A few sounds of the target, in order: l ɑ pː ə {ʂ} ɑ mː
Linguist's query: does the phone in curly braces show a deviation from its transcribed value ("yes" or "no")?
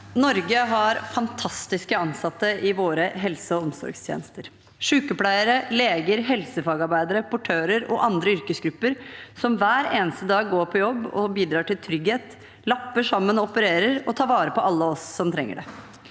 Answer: no